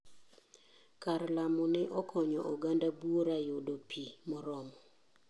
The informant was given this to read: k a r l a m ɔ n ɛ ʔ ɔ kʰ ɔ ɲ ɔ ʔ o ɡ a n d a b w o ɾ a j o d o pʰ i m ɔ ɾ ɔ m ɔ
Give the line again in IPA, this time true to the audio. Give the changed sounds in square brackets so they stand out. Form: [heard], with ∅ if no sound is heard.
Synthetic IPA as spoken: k a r l a m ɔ n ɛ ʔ ɔ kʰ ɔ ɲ ɔ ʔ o ɡ a n d a b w o ɾ a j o d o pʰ i m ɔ ɾ ɔ m ɔ